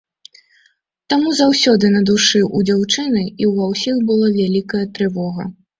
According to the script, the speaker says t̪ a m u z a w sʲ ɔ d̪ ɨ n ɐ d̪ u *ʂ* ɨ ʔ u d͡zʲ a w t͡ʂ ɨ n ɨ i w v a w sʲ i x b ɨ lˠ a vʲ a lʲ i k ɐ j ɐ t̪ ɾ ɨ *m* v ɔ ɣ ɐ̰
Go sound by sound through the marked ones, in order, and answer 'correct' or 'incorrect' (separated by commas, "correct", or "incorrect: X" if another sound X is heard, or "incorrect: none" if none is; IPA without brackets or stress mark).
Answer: correct, incorrect: none